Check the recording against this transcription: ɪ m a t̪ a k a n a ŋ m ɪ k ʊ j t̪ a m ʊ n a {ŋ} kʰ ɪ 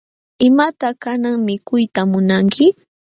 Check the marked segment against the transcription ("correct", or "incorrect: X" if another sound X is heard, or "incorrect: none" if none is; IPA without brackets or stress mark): correct